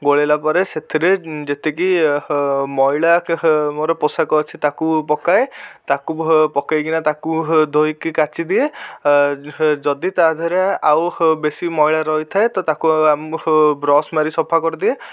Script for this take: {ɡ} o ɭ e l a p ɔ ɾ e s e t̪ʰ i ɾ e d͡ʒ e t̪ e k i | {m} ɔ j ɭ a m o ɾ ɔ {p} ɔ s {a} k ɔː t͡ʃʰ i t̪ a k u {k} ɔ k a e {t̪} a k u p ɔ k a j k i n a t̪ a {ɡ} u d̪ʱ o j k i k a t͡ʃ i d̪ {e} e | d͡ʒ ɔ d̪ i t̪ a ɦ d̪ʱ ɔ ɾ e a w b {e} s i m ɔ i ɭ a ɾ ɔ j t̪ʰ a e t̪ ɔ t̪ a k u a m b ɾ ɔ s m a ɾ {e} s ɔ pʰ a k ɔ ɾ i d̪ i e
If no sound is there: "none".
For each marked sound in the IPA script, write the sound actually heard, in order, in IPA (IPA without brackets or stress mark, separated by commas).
ɡ, m, p, a, p, t̪, k, i, e, i